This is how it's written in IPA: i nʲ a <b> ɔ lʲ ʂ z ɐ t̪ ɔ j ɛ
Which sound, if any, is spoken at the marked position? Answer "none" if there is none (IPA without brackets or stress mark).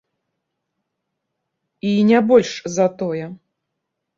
b